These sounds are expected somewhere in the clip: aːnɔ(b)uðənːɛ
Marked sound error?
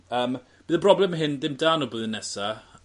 no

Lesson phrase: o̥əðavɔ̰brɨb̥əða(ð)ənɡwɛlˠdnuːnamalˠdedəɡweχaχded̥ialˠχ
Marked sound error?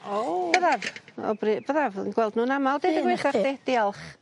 yes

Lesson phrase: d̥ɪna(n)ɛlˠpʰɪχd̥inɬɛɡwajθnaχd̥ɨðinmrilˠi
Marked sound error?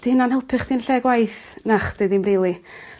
no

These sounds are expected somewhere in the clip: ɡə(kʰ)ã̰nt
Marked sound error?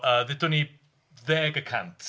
no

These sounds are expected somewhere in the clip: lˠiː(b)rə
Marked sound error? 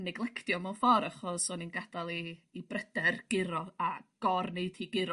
no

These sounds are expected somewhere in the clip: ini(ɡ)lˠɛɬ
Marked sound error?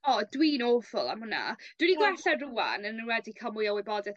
no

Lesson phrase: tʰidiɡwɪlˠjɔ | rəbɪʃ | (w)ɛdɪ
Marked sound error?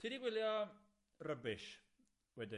no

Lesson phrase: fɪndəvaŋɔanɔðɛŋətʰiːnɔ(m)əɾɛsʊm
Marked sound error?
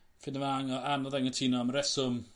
no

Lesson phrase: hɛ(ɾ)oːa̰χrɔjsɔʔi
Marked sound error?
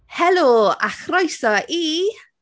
yes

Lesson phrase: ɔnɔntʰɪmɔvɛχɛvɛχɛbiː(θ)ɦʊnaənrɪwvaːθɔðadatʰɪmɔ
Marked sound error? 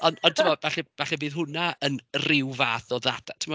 yes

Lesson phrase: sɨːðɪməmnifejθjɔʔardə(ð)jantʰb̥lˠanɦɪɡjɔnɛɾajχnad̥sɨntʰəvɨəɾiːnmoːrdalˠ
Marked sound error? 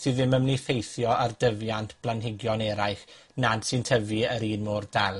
yes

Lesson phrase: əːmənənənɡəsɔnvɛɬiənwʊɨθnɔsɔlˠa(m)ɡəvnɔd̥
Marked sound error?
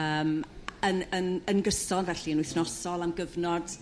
no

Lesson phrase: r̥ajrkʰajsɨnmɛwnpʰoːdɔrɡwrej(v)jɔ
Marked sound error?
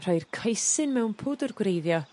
yes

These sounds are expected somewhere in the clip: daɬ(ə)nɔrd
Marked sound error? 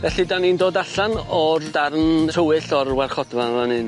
yes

